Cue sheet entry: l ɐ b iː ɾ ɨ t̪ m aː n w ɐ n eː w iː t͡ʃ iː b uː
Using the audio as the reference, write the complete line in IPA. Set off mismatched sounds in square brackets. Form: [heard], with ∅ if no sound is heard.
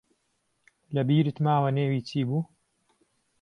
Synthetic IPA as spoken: l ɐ b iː ɾ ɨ t̪ m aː [∅] w ɐ n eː w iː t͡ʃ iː b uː